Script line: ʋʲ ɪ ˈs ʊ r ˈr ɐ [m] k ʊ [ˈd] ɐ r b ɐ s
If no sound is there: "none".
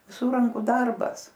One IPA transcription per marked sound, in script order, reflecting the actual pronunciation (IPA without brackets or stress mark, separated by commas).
ŋ, d